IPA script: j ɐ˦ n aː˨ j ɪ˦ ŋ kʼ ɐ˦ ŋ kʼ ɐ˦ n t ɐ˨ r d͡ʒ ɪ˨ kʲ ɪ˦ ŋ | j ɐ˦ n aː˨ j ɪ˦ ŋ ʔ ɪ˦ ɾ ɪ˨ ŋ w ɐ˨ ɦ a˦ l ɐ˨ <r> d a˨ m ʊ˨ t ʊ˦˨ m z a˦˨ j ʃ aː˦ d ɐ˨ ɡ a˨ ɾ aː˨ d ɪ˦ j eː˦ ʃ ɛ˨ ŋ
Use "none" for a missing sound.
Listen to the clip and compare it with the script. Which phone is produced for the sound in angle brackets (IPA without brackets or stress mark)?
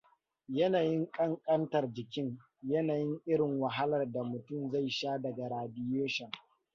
r